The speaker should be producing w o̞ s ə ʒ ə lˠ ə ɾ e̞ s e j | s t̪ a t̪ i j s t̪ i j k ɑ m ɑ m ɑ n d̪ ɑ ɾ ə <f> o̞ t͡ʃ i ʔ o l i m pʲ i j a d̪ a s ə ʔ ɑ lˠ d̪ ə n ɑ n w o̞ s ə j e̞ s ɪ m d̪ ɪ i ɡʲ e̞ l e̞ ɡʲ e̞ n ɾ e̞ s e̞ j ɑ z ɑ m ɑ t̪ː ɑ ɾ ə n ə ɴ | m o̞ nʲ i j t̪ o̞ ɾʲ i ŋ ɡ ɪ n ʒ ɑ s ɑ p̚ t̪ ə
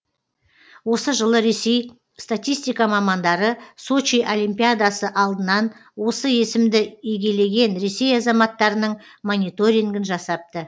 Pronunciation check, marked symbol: incorrect: s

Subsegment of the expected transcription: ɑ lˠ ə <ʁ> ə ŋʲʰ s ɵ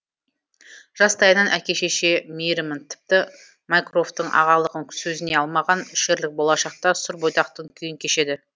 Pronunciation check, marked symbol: correct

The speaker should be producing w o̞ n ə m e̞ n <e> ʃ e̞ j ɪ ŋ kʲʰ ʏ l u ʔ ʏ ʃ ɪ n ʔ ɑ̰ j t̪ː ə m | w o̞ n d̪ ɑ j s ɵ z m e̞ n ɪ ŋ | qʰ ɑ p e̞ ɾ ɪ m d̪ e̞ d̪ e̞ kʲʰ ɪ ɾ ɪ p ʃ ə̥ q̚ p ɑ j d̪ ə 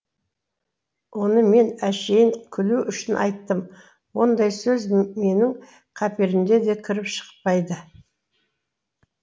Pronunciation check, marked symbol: incorrect: æ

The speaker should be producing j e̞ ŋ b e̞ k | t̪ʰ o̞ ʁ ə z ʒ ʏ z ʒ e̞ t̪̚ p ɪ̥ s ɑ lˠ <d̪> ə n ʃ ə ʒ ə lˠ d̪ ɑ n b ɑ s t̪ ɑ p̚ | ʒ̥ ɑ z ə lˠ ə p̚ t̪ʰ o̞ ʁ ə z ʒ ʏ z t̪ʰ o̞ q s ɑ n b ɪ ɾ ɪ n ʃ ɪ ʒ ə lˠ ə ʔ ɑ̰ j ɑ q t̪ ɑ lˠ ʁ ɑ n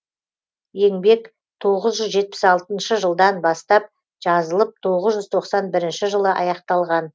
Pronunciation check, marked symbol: incorrect: t̪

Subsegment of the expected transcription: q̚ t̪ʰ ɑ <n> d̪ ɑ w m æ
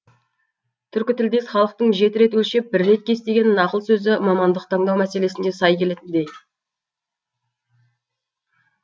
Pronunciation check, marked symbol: incorrect: ɴ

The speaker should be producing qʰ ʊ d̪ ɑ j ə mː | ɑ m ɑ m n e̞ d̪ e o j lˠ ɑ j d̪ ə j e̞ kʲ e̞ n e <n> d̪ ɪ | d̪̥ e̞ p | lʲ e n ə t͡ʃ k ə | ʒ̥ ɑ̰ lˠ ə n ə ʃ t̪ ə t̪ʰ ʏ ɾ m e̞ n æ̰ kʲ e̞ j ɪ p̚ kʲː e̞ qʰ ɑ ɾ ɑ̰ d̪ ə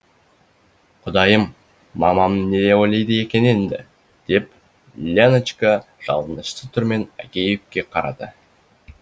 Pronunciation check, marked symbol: correct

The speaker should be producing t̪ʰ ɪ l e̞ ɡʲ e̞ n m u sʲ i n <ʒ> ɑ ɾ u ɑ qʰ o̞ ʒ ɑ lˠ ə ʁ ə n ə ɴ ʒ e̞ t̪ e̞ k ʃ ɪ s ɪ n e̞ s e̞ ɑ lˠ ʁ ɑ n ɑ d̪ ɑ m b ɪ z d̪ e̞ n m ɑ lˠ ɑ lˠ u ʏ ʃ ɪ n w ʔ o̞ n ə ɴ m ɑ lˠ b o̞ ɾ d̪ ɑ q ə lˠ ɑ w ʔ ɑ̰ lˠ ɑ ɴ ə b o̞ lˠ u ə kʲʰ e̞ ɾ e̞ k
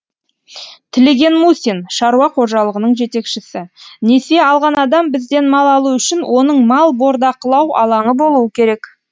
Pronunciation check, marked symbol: incorrect: ʃ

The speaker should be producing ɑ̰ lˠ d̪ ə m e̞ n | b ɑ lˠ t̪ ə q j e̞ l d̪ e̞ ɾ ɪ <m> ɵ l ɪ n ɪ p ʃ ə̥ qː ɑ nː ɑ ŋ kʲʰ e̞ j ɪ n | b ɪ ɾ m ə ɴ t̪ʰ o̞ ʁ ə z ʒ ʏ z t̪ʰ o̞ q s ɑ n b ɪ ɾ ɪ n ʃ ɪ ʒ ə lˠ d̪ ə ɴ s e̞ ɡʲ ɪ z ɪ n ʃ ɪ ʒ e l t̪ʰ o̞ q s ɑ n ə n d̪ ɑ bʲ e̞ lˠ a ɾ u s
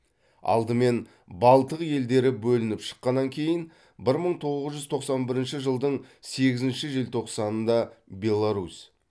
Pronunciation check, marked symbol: incorrect: b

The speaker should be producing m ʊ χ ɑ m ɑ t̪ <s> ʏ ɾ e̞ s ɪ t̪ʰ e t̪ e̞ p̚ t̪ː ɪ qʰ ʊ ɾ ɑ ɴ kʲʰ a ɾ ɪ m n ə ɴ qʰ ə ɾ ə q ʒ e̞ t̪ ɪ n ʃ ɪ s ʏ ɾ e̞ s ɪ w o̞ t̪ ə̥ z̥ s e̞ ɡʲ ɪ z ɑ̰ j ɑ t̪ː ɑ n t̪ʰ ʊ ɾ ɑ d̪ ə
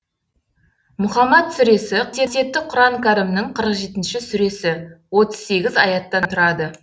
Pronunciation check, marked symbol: correct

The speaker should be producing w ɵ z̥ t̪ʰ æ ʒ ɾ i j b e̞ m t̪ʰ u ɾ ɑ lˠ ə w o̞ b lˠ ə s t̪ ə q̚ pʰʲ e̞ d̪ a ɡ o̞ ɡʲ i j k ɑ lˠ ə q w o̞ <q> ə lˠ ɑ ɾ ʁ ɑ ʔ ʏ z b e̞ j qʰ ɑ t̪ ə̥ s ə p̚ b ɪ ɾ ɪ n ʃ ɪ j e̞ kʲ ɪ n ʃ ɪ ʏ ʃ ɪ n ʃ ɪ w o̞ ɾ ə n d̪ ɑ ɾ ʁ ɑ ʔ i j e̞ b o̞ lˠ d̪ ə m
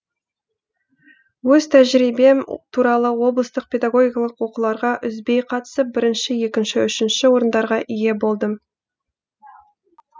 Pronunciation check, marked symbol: correct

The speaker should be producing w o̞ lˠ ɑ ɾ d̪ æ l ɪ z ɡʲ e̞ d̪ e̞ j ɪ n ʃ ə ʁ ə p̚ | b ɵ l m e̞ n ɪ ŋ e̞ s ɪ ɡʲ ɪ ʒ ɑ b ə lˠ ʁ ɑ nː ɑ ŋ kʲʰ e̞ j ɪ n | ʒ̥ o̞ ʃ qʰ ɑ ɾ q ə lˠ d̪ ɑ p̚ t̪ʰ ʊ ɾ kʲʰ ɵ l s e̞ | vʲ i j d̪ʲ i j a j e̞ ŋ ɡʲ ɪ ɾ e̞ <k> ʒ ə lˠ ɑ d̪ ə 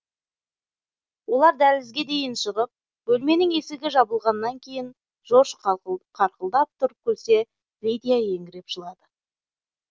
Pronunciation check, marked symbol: incorrect: p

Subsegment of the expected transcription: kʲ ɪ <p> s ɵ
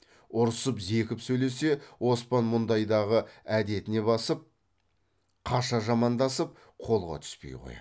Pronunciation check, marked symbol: correct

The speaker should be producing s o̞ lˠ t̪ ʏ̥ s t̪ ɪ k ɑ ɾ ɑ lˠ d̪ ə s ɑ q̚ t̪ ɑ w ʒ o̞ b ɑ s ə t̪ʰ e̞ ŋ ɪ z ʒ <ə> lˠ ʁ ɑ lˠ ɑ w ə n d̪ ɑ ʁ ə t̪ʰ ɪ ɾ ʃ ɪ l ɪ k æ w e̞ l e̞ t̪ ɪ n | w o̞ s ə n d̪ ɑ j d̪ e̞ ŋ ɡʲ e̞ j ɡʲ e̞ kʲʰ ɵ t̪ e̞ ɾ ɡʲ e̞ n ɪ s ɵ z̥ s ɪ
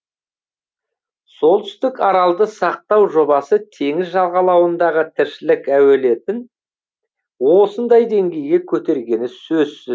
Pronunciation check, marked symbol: incorrect: ɑ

